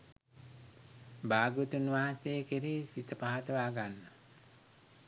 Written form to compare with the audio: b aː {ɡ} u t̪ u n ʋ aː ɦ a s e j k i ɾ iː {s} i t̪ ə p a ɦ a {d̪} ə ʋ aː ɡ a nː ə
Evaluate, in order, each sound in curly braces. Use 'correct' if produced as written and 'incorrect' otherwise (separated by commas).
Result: correct, correct, incorrect